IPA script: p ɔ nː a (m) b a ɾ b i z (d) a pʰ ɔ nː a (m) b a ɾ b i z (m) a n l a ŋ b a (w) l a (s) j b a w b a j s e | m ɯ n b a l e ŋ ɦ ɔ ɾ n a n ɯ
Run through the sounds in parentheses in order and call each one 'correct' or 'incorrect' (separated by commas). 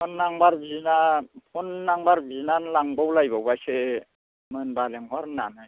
incorrect, incorrect, incorrect, incorrect, correct, incorrect